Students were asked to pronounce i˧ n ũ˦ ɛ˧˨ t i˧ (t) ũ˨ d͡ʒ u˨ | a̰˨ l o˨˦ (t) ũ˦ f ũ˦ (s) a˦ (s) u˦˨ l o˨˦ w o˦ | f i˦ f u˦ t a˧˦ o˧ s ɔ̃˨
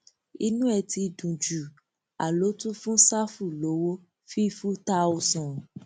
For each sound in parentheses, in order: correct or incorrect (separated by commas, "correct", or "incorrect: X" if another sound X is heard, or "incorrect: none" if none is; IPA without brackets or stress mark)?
incorrect: d, correct, correct, incorrect: f